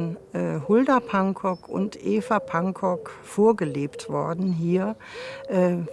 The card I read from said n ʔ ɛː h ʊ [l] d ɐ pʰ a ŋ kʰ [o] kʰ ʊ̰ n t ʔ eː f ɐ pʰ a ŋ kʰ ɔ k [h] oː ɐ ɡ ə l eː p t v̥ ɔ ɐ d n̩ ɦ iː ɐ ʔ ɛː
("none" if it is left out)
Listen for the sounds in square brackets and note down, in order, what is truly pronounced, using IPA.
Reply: l, ɔ, f

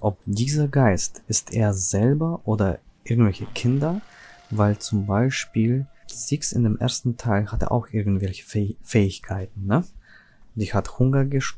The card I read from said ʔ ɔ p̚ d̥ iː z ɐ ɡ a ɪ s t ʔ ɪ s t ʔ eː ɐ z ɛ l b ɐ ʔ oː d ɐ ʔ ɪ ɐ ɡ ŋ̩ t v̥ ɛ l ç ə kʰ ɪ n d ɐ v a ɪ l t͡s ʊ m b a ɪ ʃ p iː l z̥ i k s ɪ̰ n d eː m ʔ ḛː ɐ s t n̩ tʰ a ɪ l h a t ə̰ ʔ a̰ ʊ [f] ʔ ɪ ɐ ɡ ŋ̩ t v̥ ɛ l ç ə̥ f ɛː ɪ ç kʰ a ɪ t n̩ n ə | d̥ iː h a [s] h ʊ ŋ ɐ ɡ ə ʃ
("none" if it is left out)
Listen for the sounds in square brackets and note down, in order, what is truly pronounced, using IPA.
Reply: x, t

